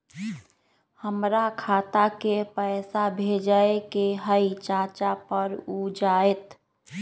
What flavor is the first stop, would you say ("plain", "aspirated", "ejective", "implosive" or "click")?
aspirated